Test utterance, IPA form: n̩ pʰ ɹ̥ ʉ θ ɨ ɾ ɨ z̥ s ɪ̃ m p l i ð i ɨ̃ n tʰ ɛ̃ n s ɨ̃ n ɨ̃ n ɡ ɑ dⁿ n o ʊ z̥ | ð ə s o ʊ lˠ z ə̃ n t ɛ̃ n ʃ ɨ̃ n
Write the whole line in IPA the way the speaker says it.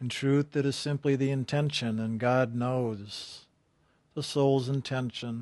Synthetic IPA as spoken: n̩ tʰ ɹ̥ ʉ θ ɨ ɾ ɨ z̥ s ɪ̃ m p l i ð i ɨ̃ n tʰ ɛ̃ n ʃ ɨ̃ n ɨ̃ n ɡ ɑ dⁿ n o ʊ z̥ | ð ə s o ʊ lˠ z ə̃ n tʰ ɛ̃ n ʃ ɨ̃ n